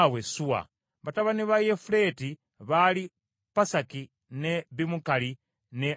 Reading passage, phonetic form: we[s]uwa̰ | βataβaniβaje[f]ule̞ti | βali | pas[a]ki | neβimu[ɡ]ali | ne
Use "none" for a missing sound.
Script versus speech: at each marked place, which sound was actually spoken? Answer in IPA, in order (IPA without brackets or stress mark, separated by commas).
s, f, a, k